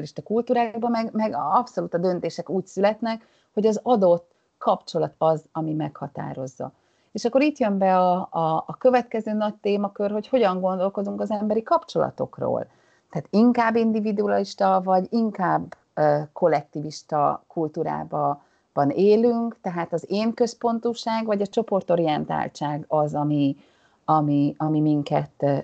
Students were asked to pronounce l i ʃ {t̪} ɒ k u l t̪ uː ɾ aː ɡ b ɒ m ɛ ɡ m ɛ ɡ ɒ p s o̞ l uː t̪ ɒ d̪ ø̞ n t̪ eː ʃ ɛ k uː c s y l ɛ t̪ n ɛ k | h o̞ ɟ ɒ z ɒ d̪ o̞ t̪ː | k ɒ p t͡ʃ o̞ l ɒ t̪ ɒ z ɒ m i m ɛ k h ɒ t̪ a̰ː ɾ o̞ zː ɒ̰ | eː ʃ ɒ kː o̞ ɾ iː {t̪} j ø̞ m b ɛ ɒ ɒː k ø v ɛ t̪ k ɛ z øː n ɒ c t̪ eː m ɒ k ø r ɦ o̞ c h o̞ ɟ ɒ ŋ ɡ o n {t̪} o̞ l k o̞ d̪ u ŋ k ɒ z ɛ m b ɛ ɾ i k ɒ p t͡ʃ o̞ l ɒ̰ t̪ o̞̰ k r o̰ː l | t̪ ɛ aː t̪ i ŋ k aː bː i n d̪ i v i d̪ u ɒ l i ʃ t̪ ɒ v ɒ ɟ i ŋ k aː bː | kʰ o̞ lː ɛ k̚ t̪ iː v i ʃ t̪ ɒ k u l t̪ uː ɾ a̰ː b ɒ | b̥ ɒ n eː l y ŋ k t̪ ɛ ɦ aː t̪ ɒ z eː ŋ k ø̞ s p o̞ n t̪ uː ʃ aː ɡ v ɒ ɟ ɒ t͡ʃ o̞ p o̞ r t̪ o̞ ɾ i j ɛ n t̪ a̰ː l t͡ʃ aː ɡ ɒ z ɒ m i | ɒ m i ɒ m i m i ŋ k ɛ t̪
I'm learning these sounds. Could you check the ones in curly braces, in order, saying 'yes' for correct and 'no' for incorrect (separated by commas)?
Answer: yes, yes, no